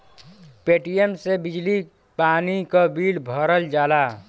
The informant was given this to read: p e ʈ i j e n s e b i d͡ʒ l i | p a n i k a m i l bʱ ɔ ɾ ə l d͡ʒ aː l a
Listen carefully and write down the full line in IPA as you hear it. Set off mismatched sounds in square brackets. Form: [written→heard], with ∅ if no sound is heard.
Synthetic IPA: p e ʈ i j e [n→m] s e b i d͡ʒ l i | p a n i k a [m→b] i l bʱ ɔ ɾ ə l d͡ʒ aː l a